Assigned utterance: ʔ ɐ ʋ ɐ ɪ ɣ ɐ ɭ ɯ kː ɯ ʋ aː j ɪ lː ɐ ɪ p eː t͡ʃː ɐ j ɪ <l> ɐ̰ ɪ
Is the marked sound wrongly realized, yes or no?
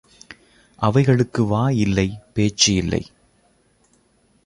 yes